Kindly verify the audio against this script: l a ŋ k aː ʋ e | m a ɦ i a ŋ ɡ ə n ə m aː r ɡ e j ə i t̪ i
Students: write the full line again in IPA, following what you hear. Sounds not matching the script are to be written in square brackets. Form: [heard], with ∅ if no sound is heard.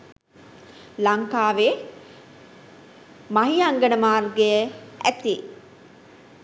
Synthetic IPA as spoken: l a ŋ k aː ʋ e | m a ɦ i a ŋ ɡ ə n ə m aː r ɡ e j ə [æ] t̪ i

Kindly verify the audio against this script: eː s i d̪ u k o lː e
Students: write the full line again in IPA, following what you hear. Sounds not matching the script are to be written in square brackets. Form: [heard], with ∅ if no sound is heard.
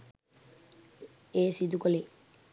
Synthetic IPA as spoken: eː s i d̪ u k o [l] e

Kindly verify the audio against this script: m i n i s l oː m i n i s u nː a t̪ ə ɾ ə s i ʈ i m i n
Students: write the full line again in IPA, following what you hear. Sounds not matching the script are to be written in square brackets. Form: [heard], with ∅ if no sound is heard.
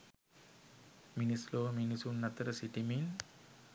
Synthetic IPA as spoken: m i n i s l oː m i n i s u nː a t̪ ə ɾ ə s i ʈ i m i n

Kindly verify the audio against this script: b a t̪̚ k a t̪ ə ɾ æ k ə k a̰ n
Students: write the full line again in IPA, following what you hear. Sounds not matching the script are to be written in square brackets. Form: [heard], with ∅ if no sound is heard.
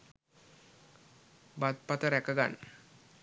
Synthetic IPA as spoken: b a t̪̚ [p] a t̪ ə ɾ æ k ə [ɡ] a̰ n

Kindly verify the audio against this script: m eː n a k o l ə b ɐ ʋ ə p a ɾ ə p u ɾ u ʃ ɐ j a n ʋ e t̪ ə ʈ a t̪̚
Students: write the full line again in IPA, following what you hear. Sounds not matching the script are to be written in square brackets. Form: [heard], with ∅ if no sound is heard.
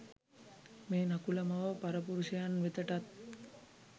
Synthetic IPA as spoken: m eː n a k [u] l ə [m] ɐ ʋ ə p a ɾ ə p u ɾ u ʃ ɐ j a n ʋ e t̪ ə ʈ a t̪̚

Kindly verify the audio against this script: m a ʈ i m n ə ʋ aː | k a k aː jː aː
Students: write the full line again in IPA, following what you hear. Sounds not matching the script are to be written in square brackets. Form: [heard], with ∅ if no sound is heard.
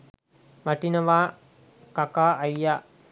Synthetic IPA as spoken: m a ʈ i [∅] n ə ʋ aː | k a k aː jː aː

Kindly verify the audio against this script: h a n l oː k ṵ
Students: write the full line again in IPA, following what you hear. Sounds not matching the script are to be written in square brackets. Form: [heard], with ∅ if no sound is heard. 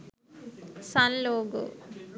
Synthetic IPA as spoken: [s] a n l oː [ɡ] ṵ

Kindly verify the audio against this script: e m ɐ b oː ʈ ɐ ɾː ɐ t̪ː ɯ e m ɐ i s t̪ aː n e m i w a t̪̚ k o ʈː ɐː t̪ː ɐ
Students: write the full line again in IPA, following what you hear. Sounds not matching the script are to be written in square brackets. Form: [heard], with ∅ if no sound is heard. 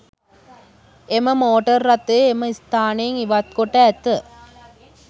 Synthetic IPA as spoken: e m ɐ [m] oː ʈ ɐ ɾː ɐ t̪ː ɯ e m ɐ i s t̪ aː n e [ŋ] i [ʋ] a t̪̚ k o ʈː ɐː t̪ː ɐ

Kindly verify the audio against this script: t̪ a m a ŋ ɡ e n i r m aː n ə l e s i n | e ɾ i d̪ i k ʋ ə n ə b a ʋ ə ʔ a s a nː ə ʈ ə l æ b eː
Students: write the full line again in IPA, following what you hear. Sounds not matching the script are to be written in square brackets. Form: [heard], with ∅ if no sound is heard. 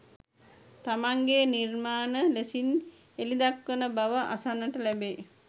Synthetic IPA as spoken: t̪ a m a ŋ ɡ e n i r m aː n ə l e s i n | e [l] i d̪ [a] k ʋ ə n ə b a ʋ ə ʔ a s a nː ə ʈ ə l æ b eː

